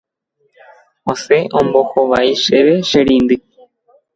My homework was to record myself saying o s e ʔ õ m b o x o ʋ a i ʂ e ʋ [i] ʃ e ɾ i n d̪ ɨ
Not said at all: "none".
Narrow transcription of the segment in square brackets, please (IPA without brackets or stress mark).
e